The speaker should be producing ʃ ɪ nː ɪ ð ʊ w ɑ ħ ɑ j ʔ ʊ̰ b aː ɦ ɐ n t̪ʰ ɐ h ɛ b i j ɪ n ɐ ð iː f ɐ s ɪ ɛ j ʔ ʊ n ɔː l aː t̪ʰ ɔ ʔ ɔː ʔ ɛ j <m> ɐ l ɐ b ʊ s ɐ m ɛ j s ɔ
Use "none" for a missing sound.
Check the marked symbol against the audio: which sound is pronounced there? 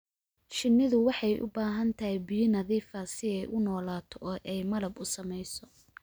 m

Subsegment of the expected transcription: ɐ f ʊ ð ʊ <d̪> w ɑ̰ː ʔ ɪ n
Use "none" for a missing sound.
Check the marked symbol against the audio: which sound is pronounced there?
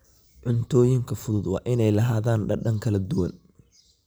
d̪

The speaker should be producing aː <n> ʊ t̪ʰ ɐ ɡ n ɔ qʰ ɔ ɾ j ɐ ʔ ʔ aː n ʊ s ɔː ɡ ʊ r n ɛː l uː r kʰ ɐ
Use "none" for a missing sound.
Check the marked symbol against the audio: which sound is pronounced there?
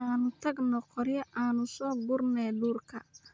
n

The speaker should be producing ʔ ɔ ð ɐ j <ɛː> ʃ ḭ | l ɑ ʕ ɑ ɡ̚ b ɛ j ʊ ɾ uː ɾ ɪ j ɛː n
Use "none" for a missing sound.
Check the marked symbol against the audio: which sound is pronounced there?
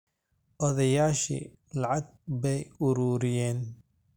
aː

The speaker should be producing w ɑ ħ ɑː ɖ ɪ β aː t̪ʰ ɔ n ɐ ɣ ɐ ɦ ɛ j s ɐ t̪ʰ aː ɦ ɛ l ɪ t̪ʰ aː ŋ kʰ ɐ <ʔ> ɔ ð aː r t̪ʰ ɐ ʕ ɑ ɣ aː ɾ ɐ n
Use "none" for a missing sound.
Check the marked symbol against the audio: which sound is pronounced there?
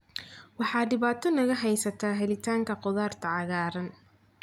q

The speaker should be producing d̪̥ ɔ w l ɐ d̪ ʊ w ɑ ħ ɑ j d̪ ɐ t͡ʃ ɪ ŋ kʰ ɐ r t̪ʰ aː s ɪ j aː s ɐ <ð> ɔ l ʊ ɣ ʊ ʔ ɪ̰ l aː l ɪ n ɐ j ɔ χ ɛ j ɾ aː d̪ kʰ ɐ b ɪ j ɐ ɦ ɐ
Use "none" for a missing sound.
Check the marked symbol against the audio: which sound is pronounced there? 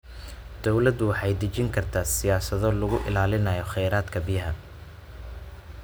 ð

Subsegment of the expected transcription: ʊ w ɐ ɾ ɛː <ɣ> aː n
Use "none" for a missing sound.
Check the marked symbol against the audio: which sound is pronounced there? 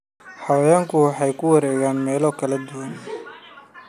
ɣ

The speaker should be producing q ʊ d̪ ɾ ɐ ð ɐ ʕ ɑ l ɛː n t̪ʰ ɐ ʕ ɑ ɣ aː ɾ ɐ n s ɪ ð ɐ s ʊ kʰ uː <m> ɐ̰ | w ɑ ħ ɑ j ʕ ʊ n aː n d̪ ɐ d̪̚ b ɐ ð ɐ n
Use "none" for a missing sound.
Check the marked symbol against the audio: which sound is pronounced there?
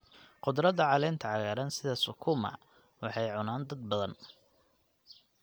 m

